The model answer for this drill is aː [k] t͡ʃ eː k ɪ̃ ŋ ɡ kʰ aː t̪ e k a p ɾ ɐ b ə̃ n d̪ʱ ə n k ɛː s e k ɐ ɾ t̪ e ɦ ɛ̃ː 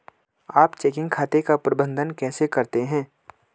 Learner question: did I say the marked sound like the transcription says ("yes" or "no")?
no